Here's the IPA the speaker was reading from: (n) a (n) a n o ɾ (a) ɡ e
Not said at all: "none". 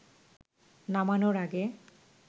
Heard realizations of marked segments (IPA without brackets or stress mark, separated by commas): n, m, a